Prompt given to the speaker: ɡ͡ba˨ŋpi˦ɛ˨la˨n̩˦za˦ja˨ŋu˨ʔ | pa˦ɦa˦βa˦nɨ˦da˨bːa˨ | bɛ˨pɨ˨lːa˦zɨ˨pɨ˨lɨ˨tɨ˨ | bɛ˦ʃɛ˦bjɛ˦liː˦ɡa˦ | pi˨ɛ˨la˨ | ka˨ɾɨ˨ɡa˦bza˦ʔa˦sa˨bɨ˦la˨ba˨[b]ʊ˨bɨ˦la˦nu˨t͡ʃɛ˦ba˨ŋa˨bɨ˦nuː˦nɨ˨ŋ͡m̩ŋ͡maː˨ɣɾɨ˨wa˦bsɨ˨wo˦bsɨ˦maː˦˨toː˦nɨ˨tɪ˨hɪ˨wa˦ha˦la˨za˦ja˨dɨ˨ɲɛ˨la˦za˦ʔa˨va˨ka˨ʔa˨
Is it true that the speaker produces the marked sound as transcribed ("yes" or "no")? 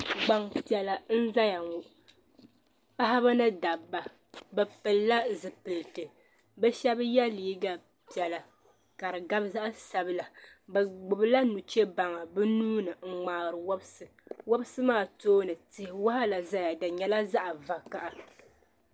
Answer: no